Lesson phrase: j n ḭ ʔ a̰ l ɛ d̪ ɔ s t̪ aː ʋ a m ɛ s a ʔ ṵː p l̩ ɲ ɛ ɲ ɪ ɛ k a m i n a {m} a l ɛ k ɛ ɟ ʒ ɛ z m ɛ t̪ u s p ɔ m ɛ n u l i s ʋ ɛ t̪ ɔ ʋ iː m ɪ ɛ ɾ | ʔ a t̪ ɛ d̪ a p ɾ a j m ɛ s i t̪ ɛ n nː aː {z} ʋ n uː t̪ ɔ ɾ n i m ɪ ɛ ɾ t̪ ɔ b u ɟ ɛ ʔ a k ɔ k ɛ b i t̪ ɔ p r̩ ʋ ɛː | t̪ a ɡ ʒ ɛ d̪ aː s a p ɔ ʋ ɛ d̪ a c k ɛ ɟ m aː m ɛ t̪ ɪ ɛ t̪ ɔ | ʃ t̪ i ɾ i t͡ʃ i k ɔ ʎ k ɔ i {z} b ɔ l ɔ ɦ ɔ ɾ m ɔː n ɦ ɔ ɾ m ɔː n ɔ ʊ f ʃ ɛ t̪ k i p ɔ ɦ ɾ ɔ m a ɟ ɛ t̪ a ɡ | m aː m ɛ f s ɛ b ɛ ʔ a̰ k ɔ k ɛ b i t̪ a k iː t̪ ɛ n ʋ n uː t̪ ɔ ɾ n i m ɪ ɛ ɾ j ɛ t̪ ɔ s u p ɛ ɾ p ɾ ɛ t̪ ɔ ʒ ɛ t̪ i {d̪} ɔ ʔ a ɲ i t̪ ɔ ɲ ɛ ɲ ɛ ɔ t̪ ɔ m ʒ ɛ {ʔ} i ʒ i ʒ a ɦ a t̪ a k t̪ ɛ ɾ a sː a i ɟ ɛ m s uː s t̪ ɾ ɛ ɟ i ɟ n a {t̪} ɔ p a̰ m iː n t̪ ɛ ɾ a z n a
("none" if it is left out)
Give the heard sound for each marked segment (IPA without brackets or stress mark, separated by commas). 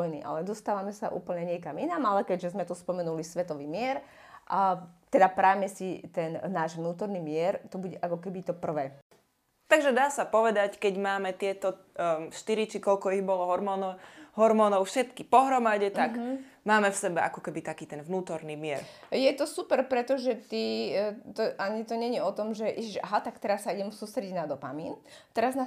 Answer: m, ʒ, ɣ, t̪, ʔ, d̪